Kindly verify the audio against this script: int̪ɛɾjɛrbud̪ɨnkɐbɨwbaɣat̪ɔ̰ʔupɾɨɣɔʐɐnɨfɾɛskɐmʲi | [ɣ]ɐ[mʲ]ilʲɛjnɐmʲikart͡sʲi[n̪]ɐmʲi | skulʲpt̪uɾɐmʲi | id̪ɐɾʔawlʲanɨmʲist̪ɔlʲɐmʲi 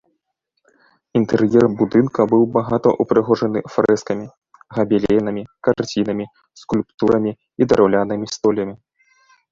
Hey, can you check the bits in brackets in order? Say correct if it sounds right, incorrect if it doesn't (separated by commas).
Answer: correct, incorrect, correct